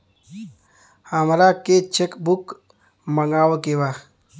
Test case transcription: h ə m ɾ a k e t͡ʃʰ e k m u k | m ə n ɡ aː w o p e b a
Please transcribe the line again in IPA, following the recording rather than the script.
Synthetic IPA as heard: h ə m ɾ a k e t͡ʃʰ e k b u k | m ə ŋ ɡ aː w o k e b a

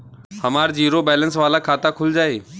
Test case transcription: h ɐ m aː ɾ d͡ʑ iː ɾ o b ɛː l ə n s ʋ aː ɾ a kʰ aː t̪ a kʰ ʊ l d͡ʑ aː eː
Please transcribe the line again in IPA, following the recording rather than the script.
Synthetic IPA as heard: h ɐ m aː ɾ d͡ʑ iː ɾ o b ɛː l ə n s ʋ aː l a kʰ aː t̪ a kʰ ʊ l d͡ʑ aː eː

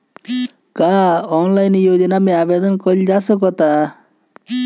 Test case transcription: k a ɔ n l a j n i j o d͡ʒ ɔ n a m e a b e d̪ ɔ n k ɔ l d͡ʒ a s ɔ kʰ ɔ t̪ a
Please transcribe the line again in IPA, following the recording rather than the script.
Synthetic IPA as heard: k a ɔ n l a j n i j o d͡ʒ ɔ n a m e a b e d̪ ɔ n k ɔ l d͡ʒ a s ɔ k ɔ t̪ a

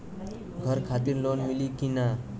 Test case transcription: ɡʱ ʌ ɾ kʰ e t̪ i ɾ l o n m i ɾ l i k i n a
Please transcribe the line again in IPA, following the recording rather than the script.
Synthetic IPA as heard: ɡʱ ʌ ɾ kʰ a t̪ i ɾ l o n m i l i k i n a

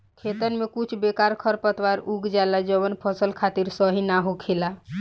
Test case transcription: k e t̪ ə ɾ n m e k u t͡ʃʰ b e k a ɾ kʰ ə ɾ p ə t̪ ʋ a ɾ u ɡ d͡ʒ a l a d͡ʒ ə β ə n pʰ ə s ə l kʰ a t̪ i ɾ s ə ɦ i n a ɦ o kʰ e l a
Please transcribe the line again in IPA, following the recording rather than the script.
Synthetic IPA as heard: kʰ e t̪ ə n m e k u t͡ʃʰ b e k a ɾ kʰ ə ɾ p ə t̪ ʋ a ɾ u ɡ d͡ʒ a l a d͡ʒ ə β ə n pʰ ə s ə l kʰ a t̪ i ɾ s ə ɦ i n a ɦ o kʰ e l a

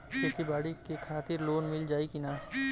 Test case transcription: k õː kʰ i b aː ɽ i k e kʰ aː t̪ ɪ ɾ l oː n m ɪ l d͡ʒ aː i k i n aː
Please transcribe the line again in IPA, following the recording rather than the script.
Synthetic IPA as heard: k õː k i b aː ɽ i k e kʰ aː t̪ ɪ ɾ l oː n m ɪ l d͡ʒ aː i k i n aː

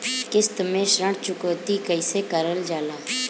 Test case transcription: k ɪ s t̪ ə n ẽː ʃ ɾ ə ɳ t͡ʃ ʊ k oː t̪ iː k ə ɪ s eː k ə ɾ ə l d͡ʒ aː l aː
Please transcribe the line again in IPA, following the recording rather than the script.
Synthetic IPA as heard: k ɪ s t̪ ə m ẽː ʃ ɾ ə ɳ t͡ʃ ʊ k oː t̪ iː k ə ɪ s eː k ə ɾ ə l d͡ʒ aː l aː

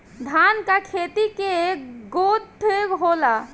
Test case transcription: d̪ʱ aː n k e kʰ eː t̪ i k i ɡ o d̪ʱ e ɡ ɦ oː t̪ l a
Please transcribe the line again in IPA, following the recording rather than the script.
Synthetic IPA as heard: d̪ʱ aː n k a kʰ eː t̪ i k e ɡ o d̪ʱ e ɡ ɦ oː l a

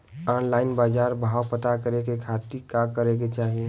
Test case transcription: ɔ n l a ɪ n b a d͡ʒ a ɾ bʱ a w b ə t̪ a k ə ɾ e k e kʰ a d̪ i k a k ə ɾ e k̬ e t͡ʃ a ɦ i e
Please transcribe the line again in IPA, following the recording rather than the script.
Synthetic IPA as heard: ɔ n l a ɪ n b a d͡ʒ a ɾ bʱ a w p ə t̪ a k ə ɾ e k e kʰ a t̪ i k a k ə ɾ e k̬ e t͡ʃ a ɦ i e

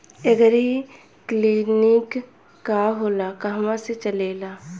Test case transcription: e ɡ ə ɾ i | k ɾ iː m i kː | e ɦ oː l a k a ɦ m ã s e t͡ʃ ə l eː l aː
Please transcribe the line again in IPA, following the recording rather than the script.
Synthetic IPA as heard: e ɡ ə ɾ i | k l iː n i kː | a ɦ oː l a k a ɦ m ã s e t͡ʃ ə l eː l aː

